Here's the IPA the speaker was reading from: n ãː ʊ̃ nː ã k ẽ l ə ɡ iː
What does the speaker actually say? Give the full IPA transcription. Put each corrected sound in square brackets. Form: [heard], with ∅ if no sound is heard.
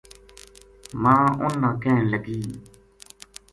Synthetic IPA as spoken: [m] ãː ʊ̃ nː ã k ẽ l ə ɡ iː